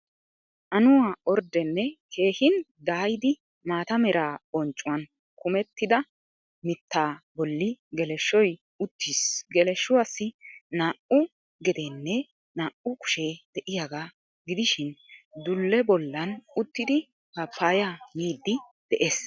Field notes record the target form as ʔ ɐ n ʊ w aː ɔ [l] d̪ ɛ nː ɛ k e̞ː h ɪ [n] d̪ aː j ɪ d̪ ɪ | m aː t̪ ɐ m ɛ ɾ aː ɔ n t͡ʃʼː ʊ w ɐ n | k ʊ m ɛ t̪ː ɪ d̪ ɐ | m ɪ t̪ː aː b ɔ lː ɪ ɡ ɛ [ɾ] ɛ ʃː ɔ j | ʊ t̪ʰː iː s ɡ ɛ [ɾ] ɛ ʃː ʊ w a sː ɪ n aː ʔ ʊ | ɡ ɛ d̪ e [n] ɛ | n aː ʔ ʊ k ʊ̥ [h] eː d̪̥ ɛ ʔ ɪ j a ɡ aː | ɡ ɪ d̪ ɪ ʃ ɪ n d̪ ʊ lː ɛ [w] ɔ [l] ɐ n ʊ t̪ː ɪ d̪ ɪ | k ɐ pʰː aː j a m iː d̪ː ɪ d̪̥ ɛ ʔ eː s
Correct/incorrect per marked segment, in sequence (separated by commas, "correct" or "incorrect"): incorrect, correct, incorrect, incorrect, incorrect, incorrect, incorrect, incorrect